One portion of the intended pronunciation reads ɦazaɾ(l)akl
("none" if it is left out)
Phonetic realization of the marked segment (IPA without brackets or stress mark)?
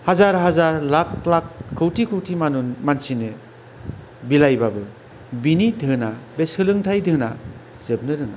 l